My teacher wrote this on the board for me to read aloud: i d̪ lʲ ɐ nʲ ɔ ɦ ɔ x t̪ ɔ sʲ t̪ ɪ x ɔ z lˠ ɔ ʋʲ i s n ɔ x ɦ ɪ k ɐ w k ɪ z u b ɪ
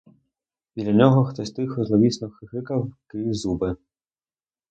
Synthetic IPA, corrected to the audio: i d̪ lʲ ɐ nʲ ɔ ɦ ɔ x t̪ ɔ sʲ t̪ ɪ x ɔ z lˠ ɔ ʋʲ i s n ɔ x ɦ ɪ k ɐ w k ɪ z u b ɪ